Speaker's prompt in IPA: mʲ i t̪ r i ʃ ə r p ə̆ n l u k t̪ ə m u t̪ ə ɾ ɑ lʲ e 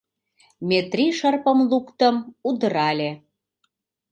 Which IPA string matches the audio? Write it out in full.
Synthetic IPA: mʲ e t̪ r i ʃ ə r p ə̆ m l u k t̪ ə m u d̪ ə ɾ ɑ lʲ e

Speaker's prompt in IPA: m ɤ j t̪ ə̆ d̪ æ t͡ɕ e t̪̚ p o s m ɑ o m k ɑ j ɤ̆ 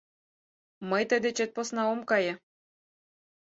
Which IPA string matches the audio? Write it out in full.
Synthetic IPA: m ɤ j t̪ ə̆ d̪ e t͡ɕ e t̪̚ p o s n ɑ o m k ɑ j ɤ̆

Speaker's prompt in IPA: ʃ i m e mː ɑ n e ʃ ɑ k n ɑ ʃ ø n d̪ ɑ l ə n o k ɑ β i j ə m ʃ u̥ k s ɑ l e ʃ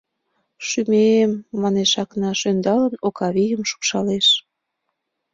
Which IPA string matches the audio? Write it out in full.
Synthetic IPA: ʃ y m e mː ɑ n e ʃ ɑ k n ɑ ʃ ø n d̪ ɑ l ə n o k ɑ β i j ə m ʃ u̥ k ʃ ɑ l e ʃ

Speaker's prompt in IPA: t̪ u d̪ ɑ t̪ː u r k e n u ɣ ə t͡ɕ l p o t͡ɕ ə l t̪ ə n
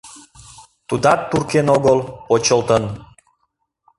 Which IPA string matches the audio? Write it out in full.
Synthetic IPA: t̪ u d̪ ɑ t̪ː u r k e n o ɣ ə l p o t͡ɕ ə l t̪ ə n

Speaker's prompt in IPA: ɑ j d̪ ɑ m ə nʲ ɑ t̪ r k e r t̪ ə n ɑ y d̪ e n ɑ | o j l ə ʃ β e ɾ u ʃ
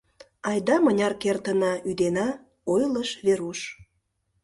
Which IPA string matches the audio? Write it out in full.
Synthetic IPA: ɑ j d̪ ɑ m ə nʲ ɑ r k e r t̪ ə n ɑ y d̪ e n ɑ | o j l ə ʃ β e ɾ u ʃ

